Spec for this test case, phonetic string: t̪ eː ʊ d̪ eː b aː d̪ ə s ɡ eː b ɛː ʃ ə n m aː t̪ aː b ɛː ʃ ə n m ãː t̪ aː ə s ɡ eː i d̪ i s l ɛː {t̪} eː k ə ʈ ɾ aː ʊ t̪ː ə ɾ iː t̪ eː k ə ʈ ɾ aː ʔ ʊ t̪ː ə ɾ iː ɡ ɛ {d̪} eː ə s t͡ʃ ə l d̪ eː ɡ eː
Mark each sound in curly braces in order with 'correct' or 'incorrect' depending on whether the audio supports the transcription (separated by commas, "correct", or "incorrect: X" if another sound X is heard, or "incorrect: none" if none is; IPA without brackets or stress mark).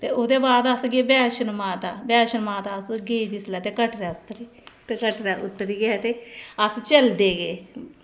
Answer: correct, incorrect: t̪